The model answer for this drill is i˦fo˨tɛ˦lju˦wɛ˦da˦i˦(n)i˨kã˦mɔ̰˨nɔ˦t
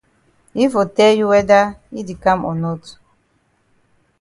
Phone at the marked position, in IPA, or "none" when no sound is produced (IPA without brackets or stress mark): d